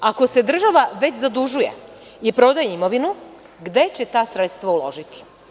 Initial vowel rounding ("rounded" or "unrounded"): unrounded